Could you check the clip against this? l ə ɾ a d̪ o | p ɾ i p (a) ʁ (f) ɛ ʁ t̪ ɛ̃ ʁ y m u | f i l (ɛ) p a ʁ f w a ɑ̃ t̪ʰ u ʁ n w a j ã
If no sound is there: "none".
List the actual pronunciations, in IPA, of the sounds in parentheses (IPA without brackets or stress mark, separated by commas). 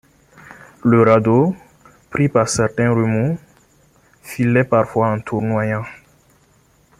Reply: a, s, ɛ